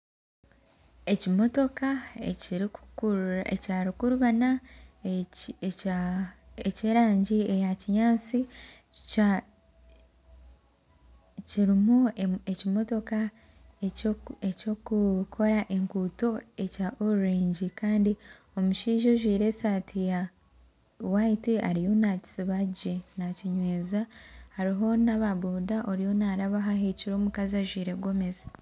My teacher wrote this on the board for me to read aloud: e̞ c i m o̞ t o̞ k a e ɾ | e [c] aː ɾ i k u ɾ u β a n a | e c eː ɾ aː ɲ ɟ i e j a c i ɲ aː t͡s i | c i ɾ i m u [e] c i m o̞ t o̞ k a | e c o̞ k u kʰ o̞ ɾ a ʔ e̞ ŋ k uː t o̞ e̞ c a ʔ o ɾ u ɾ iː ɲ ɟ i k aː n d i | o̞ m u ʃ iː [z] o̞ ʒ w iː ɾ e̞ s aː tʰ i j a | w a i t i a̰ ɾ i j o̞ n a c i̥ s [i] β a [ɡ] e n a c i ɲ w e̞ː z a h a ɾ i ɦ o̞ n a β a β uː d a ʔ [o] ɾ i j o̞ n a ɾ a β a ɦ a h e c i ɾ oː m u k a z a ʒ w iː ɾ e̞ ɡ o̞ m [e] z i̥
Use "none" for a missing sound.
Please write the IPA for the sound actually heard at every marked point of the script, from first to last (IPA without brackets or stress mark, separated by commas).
c, e, ʒ, i, ɟ, o, e